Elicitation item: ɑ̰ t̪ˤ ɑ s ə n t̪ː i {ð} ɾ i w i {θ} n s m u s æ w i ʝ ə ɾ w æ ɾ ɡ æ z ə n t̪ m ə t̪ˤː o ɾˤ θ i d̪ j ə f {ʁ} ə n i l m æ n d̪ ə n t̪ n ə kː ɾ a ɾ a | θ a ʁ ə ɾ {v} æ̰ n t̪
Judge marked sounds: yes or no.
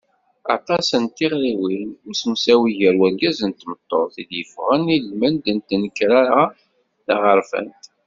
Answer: no, no, yes, no

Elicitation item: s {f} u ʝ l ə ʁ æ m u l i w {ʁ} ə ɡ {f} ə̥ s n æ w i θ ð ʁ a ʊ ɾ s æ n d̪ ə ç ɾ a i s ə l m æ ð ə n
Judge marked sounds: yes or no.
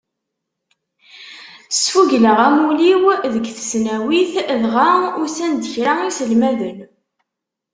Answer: yes, no, no

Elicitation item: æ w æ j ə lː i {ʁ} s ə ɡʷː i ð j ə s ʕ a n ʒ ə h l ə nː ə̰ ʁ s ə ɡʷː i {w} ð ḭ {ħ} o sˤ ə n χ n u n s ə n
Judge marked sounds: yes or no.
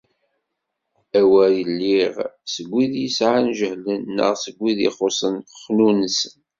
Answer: yes, no, no

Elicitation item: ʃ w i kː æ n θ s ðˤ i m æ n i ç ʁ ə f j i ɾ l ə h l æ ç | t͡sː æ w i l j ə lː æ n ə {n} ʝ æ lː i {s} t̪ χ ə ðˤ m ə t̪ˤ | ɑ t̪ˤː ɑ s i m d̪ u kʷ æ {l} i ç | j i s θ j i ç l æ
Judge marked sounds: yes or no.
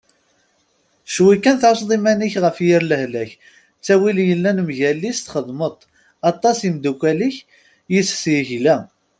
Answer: no, yes, yes

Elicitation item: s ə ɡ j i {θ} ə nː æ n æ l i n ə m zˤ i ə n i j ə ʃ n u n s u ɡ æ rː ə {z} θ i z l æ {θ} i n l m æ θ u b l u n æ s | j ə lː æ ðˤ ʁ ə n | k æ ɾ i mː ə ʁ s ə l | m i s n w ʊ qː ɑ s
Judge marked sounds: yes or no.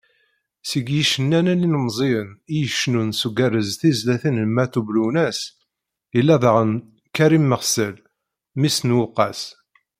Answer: no, yes, yes

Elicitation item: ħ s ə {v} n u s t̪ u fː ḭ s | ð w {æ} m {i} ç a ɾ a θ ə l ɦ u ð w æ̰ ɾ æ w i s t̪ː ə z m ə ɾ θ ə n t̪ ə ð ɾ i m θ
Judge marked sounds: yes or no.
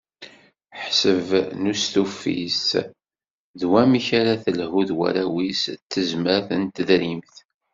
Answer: yes, yes, yes

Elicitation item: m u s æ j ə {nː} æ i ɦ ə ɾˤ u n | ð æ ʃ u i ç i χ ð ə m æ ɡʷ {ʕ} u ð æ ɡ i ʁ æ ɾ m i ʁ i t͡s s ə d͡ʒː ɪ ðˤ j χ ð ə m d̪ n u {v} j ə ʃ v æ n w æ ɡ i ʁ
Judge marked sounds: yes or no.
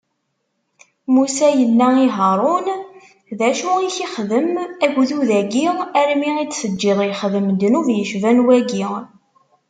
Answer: yes, no, yes

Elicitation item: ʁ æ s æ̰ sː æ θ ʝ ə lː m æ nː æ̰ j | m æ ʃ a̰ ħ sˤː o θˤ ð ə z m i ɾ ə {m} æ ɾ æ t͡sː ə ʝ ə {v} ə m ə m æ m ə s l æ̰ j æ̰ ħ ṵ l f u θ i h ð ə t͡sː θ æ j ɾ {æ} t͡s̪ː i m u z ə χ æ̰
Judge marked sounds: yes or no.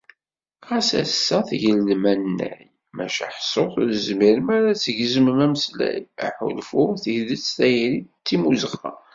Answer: yes, no, no

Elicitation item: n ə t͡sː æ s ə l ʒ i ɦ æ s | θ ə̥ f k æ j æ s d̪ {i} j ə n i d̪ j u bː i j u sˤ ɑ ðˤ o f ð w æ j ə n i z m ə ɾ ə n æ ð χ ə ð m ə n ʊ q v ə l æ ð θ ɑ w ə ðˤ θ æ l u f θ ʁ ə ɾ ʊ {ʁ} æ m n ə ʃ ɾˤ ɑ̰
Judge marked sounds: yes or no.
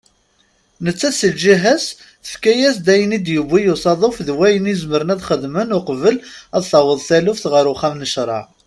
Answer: no, no

